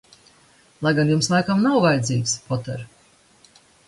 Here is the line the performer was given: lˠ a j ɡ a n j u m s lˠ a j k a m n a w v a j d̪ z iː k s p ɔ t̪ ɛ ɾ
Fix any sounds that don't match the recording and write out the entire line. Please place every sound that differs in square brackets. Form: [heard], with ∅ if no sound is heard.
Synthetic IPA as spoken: lˠ a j ɡ a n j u m s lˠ a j k a m n a w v a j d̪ z iː k s p ɔ t̪ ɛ ɾ